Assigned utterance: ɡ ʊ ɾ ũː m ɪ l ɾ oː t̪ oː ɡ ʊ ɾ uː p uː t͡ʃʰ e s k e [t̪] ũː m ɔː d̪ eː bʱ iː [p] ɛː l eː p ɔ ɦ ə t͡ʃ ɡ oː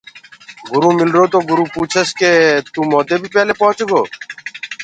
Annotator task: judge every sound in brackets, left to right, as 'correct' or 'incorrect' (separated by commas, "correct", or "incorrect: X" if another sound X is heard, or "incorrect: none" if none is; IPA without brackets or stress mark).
correct, correct